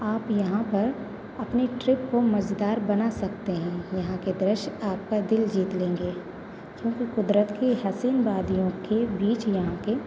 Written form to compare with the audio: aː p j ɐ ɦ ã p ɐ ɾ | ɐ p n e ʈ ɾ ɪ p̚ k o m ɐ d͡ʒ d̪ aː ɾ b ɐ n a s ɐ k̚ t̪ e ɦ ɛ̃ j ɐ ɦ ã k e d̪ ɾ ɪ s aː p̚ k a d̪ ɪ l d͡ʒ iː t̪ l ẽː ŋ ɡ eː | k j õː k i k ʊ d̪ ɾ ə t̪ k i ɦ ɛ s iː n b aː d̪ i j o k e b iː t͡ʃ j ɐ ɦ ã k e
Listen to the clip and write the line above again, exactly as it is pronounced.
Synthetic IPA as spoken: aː p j ɐ ɦ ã p ɐ ɾ | ɐ p n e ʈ ɾ ɪ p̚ k o m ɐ d͡ʒ d̪ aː ɾ b ɐ n a s ɐ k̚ t̪ e ɦ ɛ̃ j ɐ ɦ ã k e d̪ ɾ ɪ ʃ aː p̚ k a d̪ ɪ l d͡ʒ iː t̪ l ẽː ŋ ɡ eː | k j õː k i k ʊ d̪ ɾ ə t̪ k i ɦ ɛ s iː n b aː d̪ i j õ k e b iː t͡ʃ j ɐ ɦ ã k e